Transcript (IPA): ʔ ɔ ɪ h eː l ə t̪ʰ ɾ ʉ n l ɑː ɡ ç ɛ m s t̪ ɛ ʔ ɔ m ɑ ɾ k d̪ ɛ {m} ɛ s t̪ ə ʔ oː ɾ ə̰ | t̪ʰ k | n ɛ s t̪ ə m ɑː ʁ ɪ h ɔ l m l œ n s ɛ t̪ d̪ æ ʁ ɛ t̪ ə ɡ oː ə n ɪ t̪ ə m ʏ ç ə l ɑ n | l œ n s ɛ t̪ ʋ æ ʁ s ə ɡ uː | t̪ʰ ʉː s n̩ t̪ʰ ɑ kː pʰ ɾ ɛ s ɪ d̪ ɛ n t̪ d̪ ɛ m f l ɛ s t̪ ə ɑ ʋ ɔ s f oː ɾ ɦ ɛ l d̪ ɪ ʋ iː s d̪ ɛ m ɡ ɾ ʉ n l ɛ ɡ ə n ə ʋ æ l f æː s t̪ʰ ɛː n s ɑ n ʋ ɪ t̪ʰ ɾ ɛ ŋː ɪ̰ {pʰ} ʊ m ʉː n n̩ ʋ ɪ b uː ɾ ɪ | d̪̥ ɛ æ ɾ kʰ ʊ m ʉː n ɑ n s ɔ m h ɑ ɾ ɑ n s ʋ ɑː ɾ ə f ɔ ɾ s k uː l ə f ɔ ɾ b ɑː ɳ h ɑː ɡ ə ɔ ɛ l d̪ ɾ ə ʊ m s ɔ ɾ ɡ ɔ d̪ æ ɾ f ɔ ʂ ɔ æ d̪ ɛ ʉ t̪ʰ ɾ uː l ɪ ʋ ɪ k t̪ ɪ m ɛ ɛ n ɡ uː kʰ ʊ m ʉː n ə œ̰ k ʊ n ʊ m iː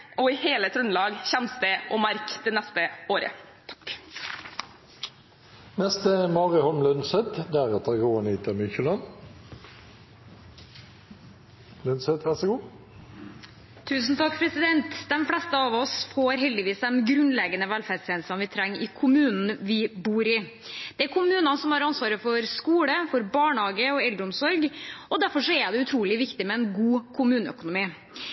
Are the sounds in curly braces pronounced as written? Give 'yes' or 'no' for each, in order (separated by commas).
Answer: no, no